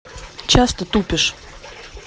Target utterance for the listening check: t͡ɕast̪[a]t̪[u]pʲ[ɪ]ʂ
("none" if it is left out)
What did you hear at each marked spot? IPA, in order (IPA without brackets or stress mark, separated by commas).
ə, u, ɪ